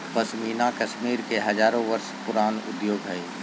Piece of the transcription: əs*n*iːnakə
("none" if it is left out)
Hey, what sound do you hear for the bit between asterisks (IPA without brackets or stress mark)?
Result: m